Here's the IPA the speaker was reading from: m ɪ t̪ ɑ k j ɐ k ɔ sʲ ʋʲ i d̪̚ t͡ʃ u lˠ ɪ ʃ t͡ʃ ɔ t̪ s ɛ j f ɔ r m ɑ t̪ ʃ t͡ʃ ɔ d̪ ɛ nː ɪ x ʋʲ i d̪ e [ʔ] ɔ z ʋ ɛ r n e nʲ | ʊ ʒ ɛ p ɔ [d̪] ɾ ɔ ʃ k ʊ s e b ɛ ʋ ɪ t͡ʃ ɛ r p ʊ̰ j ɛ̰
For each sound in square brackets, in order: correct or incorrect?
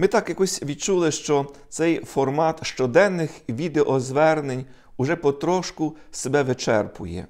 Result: correct, incorrect: t̪

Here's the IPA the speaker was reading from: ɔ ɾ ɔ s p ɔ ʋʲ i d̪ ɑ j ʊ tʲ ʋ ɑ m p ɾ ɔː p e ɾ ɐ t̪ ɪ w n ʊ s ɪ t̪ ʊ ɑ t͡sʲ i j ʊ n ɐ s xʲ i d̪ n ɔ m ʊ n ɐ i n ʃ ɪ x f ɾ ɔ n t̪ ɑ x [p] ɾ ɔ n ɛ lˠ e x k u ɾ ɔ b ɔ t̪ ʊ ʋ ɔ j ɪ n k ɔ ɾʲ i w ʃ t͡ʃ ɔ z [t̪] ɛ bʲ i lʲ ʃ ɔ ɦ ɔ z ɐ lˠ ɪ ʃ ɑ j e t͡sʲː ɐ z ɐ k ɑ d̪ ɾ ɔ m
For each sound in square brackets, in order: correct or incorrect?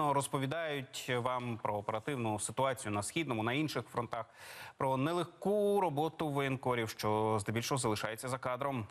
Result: correct, incorrect: d̪

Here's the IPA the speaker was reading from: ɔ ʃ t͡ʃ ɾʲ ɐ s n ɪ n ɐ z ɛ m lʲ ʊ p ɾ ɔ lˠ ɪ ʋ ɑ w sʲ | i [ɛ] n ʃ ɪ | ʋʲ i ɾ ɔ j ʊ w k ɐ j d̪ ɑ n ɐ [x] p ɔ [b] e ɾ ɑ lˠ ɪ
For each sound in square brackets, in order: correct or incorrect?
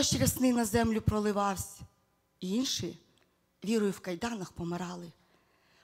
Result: incorrect: i, correct, incorrect: m

